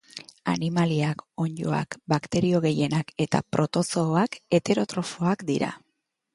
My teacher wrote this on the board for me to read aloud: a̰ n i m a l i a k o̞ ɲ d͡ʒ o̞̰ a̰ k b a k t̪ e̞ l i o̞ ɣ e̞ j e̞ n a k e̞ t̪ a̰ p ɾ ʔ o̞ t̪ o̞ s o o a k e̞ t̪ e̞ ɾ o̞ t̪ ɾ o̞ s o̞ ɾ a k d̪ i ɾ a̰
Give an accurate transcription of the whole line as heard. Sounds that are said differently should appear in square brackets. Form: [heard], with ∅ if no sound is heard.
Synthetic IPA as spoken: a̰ n i m a l i a k o̞ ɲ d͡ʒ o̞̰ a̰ k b a k t̪ e̞ [ɾ] i o̞ ɣ e̞ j e̞ n a k e̞ t̪ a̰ p ɾ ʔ o̞ t̪ o̞ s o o a k e̞ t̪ e̞ ɾ o̞ t̪ ɾ o̞ [f] o̞ [∅] a k d̪ i ɾ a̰